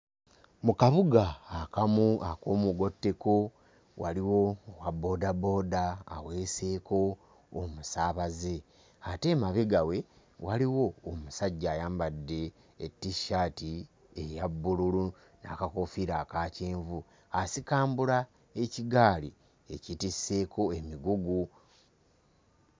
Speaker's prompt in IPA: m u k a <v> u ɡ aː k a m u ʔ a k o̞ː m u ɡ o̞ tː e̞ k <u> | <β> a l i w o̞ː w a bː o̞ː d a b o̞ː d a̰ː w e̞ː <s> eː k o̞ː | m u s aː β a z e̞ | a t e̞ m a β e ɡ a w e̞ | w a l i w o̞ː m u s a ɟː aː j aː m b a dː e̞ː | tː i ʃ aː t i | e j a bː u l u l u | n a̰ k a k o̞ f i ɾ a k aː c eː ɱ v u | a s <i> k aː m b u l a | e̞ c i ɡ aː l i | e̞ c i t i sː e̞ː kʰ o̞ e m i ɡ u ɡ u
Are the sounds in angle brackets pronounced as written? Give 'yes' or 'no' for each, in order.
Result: no, no, no, yes, yes

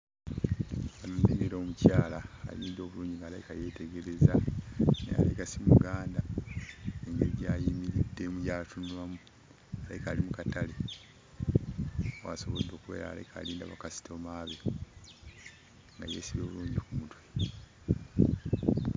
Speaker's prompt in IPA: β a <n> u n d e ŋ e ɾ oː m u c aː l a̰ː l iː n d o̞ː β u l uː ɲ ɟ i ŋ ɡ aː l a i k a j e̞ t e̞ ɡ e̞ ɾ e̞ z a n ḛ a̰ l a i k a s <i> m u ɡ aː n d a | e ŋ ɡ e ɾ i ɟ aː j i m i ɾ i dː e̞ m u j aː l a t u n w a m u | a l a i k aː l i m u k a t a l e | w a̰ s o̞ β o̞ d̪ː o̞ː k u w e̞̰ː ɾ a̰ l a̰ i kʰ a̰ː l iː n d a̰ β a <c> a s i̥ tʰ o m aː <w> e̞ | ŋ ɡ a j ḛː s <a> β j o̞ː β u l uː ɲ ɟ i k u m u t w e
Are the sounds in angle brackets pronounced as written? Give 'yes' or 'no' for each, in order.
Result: yes, yes, no, no, no

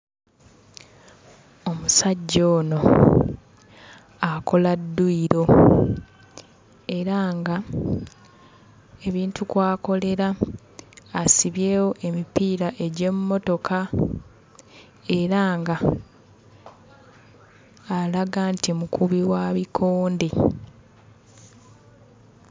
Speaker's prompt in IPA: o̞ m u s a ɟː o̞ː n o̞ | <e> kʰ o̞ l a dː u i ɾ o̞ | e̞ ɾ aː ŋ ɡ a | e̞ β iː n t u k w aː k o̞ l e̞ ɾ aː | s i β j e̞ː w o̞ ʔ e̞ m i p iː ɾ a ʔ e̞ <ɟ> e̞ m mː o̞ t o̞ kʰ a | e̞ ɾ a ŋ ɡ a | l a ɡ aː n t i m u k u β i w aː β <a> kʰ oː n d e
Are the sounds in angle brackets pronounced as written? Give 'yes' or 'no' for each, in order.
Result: no, yes, no

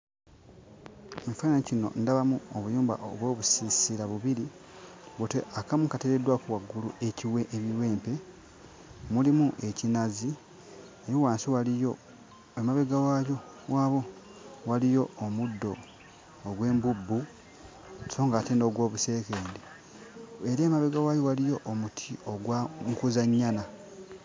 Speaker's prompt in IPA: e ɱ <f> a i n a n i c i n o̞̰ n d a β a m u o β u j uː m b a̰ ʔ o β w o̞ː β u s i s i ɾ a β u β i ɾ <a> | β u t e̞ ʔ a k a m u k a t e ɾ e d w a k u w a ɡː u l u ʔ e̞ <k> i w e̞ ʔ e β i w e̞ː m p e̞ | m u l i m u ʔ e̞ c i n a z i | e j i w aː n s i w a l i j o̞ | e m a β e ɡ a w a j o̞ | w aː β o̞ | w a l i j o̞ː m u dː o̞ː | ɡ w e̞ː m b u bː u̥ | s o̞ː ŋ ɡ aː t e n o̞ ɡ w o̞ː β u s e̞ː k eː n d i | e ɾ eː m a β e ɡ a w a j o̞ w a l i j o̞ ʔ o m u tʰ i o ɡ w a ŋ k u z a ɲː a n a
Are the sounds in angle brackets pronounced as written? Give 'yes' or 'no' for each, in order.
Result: yes, no, no

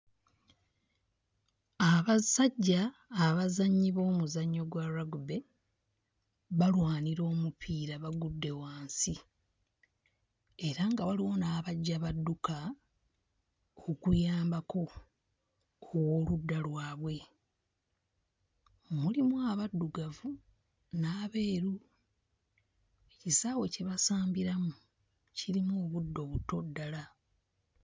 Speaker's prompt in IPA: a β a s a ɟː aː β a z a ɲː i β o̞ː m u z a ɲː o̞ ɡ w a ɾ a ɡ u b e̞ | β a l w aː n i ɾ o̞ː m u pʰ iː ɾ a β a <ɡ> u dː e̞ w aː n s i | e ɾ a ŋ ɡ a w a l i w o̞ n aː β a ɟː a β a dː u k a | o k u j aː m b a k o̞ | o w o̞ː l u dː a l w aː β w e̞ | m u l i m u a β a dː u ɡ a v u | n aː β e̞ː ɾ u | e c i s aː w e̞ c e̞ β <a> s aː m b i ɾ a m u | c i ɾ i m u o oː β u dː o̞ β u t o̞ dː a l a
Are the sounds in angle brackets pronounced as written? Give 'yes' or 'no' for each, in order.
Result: yes, yes

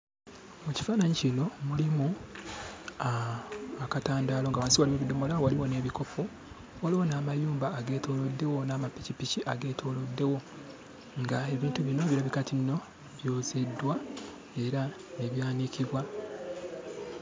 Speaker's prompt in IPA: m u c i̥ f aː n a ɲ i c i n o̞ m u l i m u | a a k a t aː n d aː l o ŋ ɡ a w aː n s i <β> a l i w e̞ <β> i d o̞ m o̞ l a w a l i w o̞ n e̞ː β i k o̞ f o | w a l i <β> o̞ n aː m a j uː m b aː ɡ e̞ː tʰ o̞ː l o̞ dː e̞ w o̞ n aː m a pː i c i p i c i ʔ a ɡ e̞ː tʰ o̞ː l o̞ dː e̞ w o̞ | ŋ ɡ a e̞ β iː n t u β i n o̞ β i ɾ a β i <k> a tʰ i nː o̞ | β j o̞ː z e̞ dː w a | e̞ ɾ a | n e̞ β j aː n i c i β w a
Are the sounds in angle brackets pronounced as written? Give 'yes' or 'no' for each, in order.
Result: no, yes, no, yes

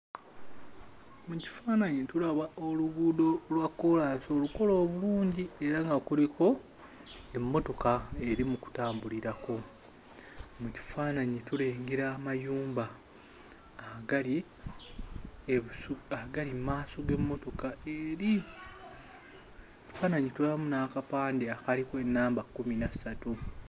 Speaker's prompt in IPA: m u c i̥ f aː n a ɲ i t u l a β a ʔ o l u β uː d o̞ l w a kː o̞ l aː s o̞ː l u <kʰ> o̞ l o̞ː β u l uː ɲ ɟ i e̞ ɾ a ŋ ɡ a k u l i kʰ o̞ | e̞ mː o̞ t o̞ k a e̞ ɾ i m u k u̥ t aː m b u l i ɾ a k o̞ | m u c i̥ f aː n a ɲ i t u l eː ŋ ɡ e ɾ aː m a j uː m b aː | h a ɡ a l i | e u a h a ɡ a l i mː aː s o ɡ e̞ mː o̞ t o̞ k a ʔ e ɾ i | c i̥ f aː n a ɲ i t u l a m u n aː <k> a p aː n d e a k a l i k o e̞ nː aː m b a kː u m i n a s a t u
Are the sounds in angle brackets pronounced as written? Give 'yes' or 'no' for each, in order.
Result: no, yes

